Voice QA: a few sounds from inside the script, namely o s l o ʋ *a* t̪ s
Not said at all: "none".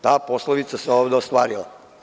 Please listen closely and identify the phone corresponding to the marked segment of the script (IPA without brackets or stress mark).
i